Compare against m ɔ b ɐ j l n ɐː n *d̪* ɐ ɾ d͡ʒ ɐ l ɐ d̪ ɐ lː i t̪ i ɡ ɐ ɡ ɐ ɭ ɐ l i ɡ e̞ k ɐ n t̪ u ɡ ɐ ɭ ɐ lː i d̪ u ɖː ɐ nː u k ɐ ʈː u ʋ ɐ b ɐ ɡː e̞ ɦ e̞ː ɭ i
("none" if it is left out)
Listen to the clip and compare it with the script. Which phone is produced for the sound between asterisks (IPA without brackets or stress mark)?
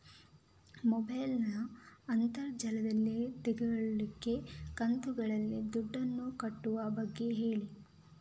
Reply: t̪